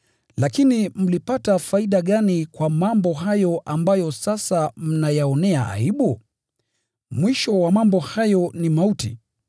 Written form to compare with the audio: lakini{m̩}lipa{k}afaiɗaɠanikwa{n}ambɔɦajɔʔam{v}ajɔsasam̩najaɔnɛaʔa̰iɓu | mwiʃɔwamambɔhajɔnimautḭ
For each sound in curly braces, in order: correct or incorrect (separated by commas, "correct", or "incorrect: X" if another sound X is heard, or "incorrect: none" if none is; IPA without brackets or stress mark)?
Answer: correct, incorrect: t, incorrect: m, incorrect: b